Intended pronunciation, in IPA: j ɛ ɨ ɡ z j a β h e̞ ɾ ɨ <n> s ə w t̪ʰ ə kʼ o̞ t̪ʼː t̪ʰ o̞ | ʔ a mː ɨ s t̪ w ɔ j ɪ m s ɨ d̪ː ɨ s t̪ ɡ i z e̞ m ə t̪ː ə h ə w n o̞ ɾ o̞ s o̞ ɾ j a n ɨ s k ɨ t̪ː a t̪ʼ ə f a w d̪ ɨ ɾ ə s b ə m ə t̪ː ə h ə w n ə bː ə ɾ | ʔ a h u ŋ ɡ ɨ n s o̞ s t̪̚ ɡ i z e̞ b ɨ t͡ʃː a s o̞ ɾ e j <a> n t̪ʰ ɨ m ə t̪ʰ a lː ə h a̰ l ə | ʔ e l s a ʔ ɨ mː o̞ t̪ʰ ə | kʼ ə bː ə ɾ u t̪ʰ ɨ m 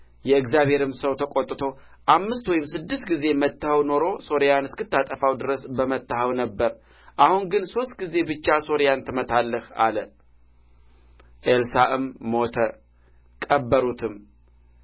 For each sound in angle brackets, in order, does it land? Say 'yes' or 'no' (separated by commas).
no, yes